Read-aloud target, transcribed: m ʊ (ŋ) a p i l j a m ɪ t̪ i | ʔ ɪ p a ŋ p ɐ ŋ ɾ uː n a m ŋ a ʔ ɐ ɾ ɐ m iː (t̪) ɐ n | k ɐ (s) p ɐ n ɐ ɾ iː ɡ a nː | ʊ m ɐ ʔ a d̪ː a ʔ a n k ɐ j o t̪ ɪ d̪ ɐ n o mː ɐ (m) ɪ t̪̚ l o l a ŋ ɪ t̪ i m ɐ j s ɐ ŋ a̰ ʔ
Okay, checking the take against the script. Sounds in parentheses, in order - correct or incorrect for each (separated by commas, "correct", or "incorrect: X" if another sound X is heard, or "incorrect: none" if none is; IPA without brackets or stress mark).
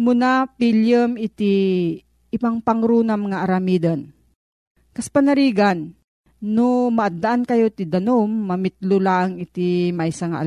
incorrect: n, incorrect: d̪, correct, correct